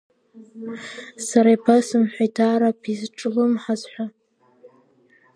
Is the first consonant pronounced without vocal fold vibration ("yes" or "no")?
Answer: yes